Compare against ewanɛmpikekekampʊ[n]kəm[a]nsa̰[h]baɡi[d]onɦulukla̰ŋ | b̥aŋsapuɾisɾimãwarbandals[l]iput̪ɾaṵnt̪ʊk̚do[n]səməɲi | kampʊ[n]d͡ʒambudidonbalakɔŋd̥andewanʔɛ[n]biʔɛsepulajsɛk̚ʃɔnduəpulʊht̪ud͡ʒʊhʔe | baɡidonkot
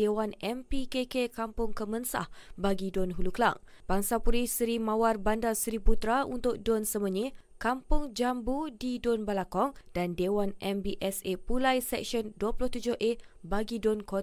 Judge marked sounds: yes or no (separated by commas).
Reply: no, no, yes, yes, no, yes, no, no